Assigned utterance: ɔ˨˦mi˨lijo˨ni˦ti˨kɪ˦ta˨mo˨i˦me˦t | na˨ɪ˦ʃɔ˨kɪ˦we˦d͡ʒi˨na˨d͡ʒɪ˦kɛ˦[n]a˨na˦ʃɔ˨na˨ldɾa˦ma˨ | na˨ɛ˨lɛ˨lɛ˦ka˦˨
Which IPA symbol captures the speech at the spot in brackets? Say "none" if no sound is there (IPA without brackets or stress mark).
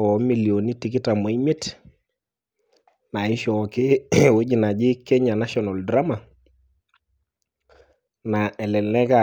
ɲ